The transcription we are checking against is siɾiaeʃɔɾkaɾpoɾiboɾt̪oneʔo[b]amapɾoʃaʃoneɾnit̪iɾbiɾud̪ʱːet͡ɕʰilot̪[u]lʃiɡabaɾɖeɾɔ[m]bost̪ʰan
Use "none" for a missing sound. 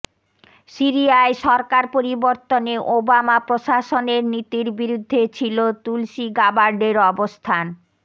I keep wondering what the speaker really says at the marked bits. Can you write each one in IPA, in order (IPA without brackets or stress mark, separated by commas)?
b, u, none